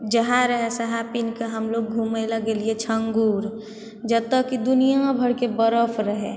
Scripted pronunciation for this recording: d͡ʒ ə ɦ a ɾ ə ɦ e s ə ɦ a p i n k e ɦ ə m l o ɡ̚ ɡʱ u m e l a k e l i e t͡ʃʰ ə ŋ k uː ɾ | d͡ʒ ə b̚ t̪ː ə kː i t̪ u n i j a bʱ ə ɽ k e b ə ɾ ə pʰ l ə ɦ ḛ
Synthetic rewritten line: d͡ʒ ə ɦ a ɾ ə ɦ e s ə ɦ a p i n k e ɦ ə m l o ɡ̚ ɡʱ u m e l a ɡ e l i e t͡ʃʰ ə ŋ ɡ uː ɾ | d͡ʒ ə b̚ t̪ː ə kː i d̪ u n i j a bʱ ə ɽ k e b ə ɾ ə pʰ ɾ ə ɦ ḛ